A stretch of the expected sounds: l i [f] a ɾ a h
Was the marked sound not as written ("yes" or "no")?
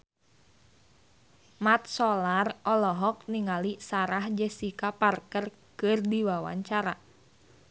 yes